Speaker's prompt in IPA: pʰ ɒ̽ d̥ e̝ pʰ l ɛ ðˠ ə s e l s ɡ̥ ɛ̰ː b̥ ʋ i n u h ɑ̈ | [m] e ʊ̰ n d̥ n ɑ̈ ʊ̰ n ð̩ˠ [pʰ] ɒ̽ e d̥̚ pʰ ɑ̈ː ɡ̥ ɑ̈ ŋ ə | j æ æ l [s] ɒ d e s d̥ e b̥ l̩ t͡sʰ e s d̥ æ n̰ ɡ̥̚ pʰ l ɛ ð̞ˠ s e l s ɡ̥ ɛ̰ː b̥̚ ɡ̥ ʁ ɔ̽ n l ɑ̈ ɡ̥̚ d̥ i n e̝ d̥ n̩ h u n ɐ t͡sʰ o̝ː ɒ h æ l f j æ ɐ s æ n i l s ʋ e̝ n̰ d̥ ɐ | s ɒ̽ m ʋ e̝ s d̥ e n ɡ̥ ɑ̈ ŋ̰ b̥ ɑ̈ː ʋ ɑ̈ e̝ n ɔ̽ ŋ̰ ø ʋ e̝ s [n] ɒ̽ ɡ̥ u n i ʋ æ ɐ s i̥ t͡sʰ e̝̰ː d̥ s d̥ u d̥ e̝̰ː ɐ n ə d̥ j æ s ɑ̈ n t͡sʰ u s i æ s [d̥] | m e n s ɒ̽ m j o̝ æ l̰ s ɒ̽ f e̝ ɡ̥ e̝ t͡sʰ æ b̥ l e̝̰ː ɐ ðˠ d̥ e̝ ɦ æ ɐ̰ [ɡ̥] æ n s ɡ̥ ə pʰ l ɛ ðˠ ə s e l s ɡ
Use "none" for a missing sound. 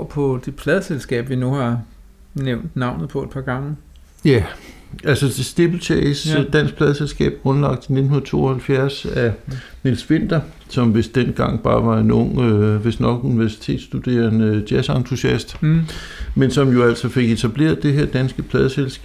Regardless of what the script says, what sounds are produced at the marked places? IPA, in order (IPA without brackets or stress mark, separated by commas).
n, pʰ, s, n, d̥, d̥